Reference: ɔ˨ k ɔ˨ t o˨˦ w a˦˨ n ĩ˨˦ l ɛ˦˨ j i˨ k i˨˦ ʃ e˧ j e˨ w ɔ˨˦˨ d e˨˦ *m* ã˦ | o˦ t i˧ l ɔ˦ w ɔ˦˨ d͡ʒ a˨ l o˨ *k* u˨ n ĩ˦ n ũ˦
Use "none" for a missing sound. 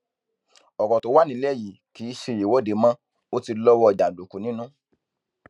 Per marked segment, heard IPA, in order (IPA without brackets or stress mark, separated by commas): m, k